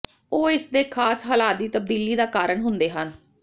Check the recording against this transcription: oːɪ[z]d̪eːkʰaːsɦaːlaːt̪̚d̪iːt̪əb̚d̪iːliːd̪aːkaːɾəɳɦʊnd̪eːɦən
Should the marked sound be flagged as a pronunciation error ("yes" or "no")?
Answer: yes